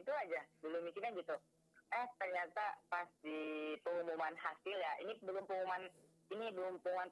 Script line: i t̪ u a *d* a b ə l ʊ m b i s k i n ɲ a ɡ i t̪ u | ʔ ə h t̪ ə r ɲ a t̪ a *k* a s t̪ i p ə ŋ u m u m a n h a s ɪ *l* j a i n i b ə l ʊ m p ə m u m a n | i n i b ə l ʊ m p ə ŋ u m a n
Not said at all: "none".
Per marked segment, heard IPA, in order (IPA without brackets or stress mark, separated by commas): d͡ʒ, p, l